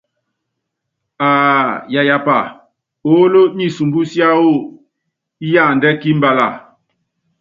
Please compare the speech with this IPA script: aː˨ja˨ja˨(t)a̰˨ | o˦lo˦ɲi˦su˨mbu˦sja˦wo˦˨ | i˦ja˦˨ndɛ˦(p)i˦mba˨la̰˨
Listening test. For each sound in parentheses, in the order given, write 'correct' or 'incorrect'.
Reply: incorrect, incorrect

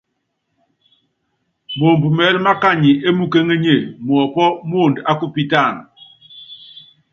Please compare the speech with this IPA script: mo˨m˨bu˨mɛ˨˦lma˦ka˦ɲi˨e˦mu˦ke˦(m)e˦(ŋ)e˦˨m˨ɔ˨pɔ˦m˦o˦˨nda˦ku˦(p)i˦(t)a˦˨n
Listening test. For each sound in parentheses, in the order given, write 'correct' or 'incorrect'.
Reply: incorrect, incorrect, correct, correct

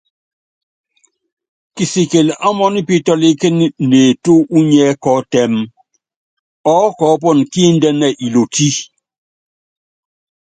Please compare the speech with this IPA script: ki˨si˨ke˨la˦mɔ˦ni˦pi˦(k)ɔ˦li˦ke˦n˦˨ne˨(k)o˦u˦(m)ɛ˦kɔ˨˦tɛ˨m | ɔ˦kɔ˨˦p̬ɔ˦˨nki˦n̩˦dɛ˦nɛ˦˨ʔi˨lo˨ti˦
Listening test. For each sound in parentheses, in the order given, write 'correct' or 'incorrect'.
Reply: incorrect, incorrect, incorrect

